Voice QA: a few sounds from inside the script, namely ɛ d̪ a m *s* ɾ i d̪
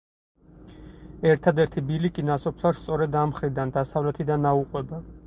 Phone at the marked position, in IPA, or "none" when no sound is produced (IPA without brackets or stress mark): χ